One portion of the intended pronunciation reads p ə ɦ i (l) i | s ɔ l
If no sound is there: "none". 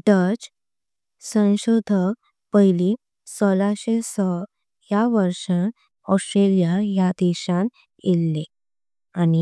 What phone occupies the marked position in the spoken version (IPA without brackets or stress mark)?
l